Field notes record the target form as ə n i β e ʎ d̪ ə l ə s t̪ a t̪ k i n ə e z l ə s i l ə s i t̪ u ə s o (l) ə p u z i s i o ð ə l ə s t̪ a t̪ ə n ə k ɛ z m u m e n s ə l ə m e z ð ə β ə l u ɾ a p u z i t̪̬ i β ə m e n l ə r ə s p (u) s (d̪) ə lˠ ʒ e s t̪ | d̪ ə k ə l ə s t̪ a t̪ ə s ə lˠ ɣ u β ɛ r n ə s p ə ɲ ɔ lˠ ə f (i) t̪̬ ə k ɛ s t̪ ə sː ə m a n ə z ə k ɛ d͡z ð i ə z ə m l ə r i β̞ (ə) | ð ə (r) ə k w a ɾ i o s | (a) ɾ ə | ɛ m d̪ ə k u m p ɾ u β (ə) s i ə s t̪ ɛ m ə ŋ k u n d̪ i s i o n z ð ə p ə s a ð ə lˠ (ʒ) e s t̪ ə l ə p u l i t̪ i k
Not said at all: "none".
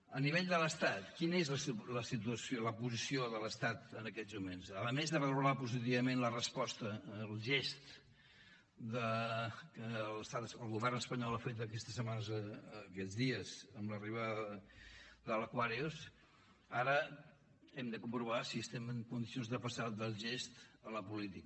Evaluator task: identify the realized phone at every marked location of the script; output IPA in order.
l, ɔ, t̪, e, a, l, a, a, ʒ

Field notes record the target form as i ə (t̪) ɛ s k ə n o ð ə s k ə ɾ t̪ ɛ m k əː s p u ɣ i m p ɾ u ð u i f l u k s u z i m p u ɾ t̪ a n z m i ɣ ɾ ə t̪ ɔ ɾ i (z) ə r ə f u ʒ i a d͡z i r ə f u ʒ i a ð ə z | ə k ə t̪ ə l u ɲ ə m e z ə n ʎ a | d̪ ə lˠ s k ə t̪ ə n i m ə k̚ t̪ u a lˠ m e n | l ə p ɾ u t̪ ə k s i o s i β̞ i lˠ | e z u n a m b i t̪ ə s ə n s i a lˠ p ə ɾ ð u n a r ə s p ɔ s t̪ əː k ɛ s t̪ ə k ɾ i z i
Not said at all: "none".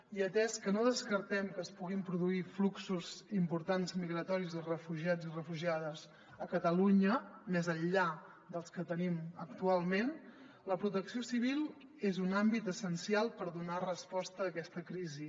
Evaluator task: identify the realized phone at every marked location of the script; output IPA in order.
t̪, z

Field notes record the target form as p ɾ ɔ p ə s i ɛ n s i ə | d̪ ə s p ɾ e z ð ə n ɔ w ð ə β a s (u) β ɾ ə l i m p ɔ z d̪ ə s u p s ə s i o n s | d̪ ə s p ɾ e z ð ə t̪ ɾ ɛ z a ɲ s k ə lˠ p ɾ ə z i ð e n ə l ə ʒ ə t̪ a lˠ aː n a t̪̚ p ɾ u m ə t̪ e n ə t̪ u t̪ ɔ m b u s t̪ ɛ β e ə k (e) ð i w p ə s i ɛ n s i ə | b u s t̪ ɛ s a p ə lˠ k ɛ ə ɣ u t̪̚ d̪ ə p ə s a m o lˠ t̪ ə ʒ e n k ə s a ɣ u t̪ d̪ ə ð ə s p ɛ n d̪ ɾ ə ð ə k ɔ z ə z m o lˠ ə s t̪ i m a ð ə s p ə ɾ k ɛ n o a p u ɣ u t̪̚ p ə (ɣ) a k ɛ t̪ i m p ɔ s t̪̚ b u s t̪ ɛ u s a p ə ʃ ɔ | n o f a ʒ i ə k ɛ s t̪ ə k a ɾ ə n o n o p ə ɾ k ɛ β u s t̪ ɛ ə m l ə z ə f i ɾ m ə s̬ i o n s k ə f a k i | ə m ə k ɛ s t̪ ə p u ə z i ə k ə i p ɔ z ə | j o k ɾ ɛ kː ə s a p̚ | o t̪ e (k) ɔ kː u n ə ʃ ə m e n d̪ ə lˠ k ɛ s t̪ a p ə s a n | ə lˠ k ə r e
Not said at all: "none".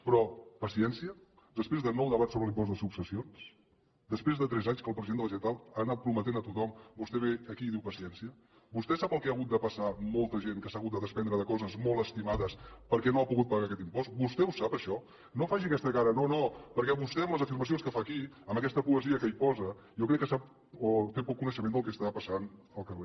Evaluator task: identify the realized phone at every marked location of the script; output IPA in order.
o, i, ɣ, p

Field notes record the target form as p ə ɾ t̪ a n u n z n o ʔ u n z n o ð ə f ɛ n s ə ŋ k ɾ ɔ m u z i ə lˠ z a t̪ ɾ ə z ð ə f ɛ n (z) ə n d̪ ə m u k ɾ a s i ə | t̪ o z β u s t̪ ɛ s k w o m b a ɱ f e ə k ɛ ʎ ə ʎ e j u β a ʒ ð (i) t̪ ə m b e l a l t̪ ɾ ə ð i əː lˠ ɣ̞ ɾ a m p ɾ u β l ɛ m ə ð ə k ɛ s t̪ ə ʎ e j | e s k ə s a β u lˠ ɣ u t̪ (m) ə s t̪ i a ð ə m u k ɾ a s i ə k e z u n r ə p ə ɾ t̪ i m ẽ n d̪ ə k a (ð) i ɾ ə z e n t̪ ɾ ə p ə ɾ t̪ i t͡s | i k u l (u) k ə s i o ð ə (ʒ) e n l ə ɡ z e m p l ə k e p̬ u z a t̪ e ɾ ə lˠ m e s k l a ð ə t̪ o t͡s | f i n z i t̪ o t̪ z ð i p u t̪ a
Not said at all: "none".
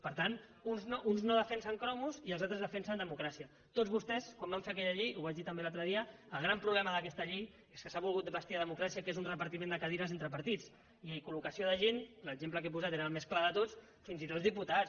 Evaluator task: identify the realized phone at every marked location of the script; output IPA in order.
s, i, b, ð, u, ʒ

